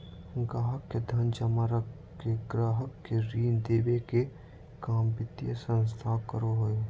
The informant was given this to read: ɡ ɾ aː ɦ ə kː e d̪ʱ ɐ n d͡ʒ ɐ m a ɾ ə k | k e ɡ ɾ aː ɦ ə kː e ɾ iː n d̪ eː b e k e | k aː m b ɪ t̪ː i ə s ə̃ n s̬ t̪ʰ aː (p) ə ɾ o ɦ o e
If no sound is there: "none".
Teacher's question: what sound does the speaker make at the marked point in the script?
k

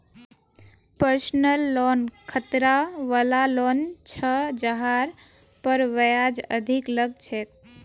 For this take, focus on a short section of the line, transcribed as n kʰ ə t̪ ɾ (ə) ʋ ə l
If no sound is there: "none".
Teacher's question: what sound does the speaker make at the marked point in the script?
a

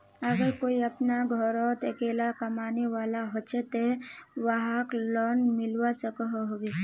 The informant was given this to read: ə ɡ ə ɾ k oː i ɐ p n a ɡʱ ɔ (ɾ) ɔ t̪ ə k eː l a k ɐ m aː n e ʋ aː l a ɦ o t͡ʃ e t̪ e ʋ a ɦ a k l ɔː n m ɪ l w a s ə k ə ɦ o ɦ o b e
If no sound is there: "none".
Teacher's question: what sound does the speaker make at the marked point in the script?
ɾ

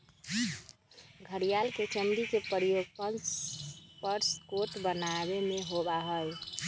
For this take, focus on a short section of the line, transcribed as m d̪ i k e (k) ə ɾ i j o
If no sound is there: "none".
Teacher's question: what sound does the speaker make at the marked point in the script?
p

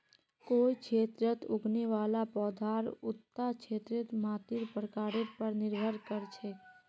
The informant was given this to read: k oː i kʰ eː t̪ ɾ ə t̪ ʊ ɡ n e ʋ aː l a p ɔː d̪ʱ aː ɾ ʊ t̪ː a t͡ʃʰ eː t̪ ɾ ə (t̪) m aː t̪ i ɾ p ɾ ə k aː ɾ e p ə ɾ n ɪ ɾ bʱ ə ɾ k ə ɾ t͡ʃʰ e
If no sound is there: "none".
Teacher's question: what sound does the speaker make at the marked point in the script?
t̪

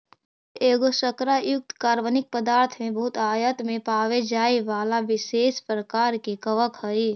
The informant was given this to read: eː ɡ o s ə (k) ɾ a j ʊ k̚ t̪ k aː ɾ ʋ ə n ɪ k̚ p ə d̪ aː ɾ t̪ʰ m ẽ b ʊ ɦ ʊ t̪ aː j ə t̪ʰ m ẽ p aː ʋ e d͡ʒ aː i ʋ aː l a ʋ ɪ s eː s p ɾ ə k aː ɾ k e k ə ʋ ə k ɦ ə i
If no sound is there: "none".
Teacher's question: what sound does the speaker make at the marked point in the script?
k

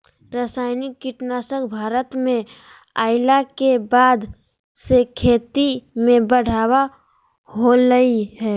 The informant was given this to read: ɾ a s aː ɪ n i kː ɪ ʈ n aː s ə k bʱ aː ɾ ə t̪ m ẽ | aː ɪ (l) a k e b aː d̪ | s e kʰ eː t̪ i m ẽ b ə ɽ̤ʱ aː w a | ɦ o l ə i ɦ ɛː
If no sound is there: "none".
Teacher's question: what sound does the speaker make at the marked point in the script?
l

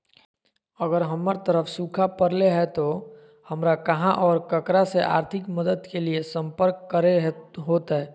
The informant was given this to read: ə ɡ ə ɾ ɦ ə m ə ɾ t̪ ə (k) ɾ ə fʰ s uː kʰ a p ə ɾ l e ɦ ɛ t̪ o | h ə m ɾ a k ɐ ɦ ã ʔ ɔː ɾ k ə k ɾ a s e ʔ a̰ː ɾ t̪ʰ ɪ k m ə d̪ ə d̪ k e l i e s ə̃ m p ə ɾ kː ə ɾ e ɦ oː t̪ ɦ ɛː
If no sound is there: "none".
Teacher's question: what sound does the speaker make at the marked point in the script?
none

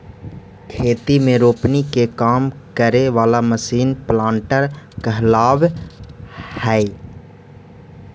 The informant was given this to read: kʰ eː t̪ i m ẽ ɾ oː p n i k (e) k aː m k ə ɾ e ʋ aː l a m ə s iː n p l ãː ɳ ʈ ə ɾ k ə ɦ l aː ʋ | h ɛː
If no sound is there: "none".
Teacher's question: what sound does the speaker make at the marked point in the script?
e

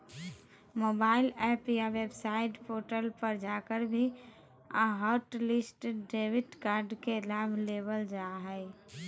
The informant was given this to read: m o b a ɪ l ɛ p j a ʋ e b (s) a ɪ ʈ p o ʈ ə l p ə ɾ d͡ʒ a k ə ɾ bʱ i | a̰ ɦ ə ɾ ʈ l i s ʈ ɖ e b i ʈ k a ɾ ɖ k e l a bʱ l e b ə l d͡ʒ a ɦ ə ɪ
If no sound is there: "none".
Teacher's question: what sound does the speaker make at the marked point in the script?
s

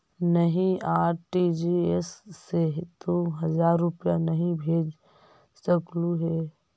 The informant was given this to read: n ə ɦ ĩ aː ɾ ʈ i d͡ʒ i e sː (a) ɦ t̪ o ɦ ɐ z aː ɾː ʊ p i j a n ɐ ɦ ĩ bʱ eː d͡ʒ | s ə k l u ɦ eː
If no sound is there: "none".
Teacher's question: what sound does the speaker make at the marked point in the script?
e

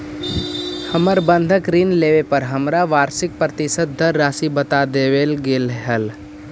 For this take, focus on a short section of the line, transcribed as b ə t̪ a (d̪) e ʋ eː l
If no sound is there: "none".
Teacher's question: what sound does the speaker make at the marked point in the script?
d̪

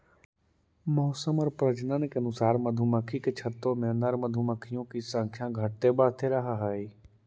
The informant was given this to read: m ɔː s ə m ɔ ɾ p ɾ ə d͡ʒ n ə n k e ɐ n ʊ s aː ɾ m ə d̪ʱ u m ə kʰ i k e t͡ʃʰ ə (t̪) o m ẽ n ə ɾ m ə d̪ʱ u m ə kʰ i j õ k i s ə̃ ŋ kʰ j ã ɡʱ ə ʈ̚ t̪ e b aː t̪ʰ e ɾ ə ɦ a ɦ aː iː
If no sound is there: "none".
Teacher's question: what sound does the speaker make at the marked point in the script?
t̪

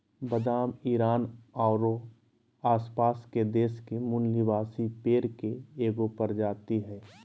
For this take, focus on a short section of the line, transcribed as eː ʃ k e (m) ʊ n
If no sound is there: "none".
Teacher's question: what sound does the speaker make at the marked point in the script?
m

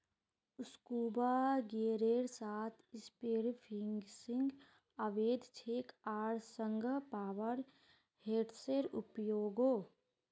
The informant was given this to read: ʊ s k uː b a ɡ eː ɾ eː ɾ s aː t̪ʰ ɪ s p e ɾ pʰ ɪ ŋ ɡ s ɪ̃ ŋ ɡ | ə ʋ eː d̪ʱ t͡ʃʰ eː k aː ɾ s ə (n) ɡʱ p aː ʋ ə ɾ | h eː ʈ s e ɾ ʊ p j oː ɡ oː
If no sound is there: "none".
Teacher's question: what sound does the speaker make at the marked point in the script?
ŋ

